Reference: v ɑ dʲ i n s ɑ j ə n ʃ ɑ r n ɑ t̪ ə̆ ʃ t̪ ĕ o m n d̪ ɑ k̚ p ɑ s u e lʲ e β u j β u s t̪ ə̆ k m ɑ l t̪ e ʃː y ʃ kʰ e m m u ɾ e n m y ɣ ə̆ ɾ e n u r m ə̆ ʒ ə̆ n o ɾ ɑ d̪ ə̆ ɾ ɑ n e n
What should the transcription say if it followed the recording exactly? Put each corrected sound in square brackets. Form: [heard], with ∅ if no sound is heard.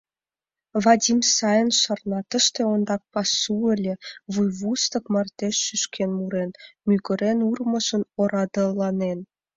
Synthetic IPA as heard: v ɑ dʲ i [m] s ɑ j ə n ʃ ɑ r n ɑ t̪ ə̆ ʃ t̪ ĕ o [∅] n d̪ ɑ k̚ p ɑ s u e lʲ e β u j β u s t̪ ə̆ k m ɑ [r] t̪ e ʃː y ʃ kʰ e [n] m u ɾ e n m y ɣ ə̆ ɾ e n u r m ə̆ ʒ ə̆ n o ɾ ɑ d̪ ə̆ [l] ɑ n e n

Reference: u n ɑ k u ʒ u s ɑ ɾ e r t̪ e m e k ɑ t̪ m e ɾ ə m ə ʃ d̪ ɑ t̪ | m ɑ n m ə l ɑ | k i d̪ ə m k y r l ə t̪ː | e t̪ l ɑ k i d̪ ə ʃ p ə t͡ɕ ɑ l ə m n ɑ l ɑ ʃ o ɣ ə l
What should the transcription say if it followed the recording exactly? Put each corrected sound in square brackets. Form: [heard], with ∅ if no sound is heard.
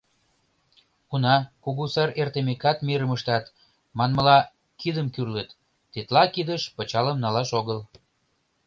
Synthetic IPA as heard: u n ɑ k u [ɣ] u s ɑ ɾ e r t̪ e m e k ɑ t̪ m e ɾ ə m ə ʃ [t̪] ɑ t̪ | m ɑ n m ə l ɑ | k i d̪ ə m k y r l ə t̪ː | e t̪ l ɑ k i d̪ ə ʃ p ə t͡ɕ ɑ l ə m n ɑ l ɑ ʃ o ɣ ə l

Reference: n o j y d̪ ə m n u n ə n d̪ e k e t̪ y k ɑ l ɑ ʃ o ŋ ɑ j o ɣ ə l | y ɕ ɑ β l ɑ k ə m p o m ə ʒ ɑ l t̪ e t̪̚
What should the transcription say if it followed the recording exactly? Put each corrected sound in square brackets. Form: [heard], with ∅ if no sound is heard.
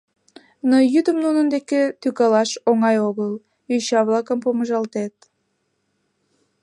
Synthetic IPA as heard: n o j y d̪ ə m n u n ə n d̪ e k e t̪ y k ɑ l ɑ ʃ o ŋ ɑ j o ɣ ə l | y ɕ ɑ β l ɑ k ə m p o m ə ʒ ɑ l t̪ e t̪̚

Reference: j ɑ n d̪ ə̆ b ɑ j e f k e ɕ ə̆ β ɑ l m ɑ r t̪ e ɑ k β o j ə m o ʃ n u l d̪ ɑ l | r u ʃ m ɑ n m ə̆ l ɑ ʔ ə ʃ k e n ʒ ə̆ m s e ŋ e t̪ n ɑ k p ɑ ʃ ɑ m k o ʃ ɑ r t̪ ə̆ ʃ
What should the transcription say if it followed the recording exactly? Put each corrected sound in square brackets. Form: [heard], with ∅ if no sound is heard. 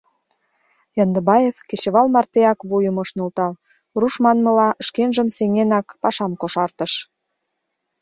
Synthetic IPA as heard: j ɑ n d̪ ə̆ b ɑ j e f k e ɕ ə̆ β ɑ l m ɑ r t̪ e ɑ k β [u] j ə m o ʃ n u l [t̪] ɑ l | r u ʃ m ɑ n m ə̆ l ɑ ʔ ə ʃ k e n ʒ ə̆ m s e ŋ e [∅] n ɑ k p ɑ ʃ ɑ m k o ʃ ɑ r t̪ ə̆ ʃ

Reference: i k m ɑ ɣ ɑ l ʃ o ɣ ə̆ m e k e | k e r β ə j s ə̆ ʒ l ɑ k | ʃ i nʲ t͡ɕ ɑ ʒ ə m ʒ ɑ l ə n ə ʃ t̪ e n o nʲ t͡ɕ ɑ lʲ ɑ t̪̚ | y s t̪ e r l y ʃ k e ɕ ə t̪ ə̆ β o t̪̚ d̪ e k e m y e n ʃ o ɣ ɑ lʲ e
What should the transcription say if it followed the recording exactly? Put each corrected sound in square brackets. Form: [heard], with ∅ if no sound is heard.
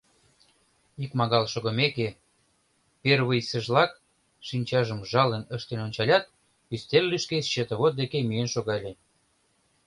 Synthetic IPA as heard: i k m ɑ ɣ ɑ l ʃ o ɣ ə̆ m e k e | [p] e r β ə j s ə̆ ʒ l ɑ k | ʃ i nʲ t͡ɕ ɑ ʒ ə m ʒ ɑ l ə n ə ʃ t̪ e n o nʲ t͡ɕ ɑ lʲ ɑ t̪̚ | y s t̪ e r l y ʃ k e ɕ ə t̪ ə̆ β o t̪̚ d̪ e k e m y e n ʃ o ɣ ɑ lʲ e

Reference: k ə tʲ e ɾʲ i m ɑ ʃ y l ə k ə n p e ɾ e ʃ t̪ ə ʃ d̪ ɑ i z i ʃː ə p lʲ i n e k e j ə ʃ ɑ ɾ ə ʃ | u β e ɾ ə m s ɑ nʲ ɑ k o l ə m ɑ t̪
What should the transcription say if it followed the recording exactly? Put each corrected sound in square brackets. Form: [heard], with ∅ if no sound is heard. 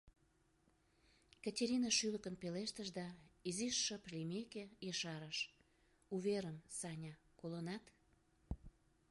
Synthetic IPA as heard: k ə tʲ e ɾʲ i [n] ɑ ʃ y l ə k ə n p e [l] e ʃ t̪ ə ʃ d̪ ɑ i z i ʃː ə p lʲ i [m] e k e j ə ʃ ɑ ɾ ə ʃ | u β e ɾ ə m s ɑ nʲ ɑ k o l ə [n] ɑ t̪

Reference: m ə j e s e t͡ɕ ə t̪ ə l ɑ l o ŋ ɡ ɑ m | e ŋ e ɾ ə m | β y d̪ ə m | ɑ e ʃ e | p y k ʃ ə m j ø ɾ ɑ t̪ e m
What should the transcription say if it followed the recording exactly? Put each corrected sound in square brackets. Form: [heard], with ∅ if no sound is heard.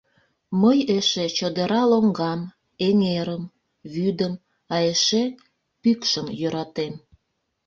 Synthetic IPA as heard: m ə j e [ʃ] e t͡ɕ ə [d̪] ə [ɾ] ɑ l o ŋ ɡ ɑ m | e ŋ e ɾ ə m | β y d̪ ə m | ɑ e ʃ e | p y k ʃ ə m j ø ɾ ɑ t̪ e m

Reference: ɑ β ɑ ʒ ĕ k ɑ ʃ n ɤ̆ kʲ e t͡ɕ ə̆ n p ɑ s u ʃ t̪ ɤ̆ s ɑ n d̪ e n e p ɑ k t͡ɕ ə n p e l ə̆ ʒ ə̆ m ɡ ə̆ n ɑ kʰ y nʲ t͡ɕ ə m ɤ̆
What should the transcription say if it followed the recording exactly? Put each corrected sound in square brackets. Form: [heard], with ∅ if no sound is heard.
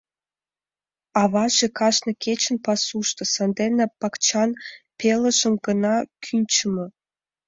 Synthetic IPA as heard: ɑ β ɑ ʒ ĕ k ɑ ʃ n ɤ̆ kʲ e t͡ɕ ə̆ n p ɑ s u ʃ t̪ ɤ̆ s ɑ n d̪ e n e p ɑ k t͡ɕ [ɑ] n p e l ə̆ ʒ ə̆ m ɡ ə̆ n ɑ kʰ y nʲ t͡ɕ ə m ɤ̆

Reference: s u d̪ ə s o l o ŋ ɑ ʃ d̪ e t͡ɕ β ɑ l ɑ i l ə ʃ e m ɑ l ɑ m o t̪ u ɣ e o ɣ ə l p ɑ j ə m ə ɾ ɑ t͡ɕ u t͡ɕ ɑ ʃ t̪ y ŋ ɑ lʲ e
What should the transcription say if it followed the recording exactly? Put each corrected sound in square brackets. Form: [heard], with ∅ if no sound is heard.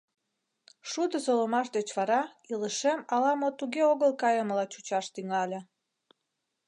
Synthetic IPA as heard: [ʃ] u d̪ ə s o l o [m] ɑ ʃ d̪ e t͡ɕ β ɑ [ɾ] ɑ i l ə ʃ e m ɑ l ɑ m o t̪ u ɣ e o ɣ ə l [k] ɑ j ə m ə [l] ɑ t͡ɕ u t͡ɕ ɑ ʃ t̪ y ŋ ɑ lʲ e

